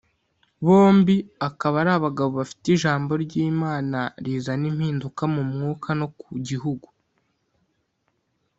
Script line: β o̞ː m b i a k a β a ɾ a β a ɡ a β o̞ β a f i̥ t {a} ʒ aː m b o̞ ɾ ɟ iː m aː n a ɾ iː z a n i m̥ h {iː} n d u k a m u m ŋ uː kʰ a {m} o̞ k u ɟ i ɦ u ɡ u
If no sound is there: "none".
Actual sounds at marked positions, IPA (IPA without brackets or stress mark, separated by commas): i, iː, n